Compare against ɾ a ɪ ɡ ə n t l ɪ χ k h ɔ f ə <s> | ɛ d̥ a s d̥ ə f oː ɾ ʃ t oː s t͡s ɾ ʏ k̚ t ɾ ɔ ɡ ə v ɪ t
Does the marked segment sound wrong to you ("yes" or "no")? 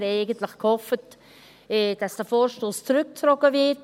yes